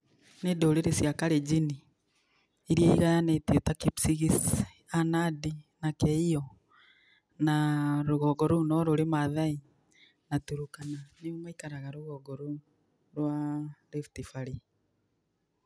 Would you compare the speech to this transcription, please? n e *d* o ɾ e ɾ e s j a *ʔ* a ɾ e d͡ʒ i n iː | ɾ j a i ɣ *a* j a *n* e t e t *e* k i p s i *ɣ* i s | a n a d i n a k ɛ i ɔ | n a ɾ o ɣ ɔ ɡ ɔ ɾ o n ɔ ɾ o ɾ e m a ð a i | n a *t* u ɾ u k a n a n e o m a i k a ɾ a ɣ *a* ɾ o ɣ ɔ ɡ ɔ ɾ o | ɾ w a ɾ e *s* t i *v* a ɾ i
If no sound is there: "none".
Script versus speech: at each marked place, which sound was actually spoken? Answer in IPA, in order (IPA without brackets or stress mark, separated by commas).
d, k, a, n, a, ɣ, t, a, f, f